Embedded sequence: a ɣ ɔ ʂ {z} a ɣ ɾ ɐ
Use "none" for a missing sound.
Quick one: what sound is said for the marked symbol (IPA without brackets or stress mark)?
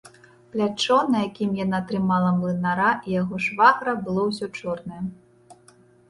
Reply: v